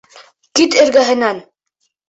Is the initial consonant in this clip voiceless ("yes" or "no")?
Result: yes